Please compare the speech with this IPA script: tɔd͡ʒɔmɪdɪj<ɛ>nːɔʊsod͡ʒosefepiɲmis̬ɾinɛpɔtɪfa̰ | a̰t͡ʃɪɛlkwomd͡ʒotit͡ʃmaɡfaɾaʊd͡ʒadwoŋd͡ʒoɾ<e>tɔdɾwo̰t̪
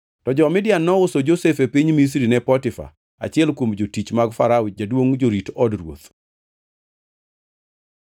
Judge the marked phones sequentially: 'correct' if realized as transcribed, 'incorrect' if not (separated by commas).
incorrect, incorrect